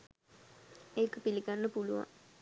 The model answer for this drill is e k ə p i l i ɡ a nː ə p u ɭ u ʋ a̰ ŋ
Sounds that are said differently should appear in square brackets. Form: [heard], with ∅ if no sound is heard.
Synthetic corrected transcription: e k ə p i l i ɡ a nː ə p u [l] u ʋ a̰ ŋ